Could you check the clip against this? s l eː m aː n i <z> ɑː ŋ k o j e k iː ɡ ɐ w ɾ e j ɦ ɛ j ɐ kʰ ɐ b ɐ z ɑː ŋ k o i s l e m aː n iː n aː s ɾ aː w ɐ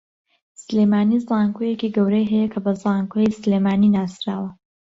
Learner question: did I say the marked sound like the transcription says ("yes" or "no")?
yes